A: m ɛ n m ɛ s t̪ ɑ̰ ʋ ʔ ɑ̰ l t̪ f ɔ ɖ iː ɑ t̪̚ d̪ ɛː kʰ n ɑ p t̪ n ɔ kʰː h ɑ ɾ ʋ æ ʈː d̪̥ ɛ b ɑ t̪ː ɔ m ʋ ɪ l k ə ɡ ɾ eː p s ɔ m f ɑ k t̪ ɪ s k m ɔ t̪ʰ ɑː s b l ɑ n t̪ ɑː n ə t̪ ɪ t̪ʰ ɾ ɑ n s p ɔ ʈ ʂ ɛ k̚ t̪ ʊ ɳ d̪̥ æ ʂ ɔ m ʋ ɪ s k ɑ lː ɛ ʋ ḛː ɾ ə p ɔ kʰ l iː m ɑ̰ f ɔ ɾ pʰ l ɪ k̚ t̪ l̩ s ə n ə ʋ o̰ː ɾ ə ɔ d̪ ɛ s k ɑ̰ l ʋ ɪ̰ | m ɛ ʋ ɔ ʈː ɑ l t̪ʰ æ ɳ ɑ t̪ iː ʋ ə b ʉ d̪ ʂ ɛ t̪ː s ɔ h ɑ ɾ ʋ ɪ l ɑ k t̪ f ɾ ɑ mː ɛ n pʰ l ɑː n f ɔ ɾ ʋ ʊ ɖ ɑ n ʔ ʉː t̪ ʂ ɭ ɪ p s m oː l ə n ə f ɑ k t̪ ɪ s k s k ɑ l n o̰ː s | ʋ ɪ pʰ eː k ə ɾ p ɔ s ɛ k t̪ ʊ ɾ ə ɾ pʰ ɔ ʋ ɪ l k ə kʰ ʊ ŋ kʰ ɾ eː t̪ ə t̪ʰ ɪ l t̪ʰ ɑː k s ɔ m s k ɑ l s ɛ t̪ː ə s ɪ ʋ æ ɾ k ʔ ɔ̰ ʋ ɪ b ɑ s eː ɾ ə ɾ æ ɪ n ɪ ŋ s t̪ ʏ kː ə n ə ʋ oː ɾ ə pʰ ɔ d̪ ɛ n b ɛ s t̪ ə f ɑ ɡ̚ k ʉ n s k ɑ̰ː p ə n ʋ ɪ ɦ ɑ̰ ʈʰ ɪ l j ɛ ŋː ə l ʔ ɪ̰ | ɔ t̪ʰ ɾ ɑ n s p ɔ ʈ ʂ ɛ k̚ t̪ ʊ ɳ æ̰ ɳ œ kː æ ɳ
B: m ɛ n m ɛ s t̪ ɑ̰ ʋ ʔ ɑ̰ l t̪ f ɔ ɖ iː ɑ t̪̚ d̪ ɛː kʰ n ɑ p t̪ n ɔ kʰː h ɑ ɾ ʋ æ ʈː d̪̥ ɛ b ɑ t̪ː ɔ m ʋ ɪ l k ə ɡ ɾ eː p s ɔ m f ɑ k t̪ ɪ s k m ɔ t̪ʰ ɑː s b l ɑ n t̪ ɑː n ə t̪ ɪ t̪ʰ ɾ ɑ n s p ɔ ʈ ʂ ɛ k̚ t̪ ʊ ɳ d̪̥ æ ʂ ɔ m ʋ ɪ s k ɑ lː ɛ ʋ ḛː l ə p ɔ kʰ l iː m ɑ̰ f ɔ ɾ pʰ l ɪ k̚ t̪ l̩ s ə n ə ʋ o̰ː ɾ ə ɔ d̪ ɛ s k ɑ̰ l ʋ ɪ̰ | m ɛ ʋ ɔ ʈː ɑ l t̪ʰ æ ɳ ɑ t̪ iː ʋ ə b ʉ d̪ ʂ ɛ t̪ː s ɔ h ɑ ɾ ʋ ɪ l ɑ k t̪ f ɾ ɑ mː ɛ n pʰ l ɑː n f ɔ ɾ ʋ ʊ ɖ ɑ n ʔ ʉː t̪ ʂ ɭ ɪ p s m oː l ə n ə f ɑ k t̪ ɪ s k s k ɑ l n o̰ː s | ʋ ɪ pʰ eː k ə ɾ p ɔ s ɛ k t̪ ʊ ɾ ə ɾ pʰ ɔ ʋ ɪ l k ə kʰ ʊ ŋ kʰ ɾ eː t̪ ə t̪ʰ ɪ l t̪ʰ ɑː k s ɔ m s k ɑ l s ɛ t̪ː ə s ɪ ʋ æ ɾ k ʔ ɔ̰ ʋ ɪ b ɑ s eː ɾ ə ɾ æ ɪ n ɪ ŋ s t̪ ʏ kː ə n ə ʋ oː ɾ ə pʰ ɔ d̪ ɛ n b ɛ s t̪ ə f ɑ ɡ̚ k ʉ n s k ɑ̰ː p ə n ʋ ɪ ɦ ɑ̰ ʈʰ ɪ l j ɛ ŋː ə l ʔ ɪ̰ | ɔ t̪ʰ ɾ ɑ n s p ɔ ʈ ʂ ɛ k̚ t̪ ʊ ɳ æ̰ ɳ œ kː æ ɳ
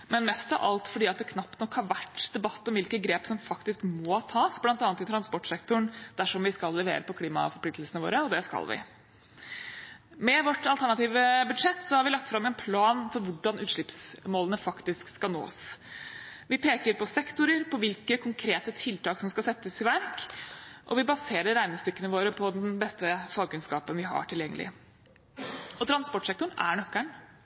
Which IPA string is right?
A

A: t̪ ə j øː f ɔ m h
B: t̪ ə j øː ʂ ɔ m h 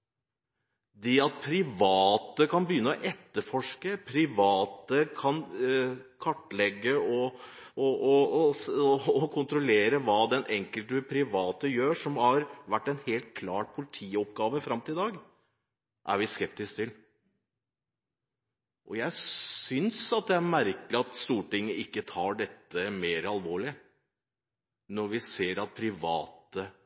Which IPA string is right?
B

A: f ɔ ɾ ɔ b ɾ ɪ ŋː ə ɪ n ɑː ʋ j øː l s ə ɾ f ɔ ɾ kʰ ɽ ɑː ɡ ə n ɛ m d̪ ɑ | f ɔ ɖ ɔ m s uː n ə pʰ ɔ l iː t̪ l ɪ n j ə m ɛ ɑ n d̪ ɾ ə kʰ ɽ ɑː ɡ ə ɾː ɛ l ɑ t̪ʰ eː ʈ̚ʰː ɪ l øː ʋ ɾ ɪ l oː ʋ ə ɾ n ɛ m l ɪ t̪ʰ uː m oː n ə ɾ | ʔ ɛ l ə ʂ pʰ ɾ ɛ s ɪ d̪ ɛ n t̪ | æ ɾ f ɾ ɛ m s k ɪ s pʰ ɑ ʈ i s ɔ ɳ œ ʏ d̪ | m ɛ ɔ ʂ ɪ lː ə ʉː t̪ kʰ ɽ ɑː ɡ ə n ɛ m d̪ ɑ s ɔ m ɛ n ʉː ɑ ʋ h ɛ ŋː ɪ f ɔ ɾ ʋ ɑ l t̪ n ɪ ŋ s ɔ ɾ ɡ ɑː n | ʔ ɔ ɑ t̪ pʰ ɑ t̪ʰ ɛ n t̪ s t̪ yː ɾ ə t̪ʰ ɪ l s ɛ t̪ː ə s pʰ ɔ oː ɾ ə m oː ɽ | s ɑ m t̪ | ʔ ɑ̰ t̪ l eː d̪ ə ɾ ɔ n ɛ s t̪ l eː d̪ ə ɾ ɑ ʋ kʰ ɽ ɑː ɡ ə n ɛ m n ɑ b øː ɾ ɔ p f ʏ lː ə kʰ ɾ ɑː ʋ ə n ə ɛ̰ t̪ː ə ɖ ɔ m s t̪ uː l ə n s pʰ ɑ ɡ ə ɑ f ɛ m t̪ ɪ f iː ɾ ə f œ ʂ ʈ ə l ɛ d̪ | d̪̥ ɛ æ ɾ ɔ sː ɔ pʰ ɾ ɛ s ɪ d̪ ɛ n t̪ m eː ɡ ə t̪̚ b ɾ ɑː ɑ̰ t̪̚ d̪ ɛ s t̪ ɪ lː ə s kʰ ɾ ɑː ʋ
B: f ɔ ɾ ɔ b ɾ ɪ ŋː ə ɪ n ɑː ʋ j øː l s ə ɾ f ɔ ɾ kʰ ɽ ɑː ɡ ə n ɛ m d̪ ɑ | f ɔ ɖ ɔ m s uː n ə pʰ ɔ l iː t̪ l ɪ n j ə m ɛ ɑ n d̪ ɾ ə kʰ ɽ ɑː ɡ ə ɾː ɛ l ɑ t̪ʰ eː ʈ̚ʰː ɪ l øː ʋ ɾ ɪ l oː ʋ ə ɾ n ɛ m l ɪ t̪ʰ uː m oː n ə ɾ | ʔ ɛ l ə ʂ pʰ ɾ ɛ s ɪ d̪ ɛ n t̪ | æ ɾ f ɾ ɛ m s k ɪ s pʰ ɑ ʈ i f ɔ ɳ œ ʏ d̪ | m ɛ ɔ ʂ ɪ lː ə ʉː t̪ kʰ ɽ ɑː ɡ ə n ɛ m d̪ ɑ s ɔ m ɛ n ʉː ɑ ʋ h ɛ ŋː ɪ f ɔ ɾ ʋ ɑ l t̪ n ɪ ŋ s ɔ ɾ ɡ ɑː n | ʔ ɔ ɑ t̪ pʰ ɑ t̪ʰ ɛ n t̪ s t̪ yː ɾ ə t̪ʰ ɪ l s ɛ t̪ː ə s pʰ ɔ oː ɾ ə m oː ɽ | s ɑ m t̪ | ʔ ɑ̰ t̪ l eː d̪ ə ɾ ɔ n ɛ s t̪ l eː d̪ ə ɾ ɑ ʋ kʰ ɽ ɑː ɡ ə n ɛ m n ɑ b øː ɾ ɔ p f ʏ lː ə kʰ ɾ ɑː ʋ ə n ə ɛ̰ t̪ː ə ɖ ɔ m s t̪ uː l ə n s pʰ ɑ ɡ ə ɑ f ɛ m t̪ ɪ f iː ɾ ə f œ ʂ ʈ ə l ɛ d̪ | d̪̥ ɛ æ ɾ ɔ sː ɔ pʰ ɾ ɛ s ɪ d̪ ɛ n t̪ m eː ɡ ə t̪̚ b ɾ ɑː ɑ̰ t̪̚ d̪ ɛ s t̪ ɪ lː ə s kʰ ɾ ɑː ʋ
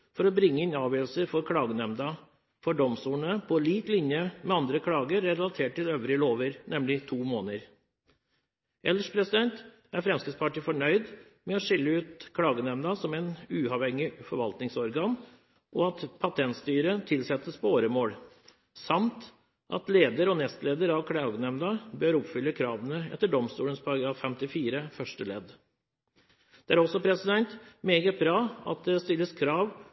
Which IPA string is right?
B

